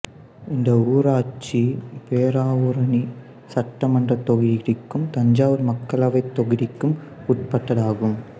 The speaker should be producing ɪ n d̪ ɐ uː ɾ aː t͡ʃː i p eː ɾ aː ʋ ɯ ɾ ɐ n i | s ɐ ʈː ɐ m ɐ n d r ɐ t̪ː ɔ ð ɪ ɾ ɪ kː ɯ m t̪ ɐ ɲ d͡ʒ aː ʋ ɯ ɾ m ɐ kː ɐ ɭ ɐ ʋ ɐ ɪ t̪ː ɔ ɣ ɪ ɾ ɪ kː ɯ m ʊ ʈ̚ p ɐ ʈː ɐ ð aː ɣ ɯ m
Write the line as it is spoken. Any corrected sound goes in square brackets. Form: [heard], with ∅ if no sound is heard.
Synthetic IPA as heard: ɪ n d̪ ɐ uː ɾ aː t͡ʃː i p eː ɾ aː ʋ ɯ ɾ ɐ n i | s ɐ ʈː ɐ m ɐ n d r ɐ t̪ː ɔ [ɣ] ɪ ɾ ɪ kː ɯ m t̪ ɐ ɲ d͡ʒ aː ʋ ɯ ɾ m ɐ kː ɐ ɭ ɐ ʋ ɐ ɪ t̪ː ɔ ɣ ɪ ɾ ɪ kː ɯ m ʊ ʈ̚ p ɐ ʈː ɐ ð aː ɣ ɯ m